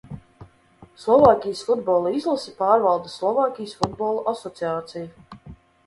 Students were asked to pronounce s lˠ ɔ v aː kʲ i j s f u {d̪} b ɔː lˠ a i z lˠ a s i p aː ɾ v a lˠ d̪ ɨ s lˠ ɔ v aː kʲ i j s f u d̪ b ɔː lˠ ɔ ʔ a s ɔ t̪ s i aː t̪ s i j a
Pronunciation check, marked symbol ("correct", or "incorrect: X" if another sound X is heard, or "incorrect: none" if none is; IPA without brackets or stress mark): correct